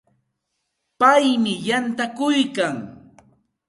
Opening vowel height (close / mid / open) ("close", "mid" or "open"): open